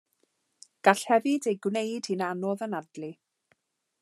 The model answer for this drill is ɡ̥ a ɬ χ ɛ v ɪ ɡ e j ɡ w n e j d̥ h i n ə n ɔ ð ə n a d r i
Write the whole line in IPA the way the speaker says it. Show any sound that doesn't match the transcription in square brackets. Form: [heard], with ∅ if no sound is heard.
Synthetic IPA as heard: ɡ̥ a ɬ [h] ɛ v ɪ [d] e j ɡ w n e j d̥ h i n [a] n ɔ ð ə n a d [l] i